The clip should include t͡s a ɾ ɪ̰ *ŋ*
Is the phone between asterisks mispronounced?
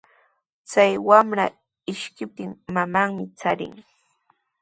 no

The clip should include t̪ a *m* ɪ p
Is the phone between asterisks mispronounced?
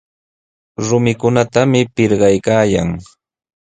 no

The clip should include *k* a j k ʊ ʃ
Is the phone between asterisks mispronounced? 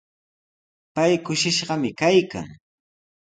yes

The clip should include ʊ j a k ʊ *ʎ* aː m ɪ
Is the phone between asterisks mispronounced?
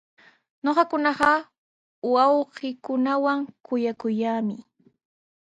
yes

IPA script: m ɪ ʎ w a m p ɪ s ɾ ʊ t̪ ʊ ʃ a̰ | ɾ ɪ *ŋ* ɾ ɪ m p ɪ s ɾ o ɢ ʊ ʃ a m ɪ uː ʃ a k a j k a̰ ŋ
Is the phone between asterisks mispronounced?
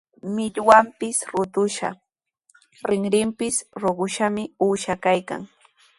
no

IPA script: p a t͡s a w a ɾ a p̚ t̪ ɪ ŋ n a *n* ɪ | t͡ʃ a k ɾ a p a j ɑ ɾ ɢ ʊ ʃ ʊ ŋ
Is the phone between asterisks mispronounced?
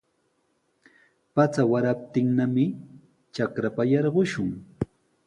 yes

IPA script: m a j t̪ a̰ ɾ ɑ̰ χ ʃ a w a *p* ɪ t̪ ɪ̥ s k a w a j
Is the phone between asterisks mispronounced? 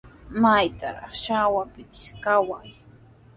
no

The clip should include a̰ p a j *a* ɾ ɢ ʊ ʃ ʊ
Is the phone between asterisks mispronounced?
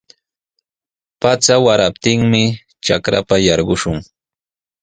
yes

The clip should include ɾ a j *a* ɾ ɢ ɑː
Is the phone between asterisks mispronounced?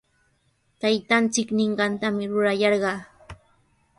yes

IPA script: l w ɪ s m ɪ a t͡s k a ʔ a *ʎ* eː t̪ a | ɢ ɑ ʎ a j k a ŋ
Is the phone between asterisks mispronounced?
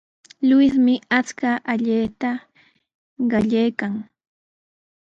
no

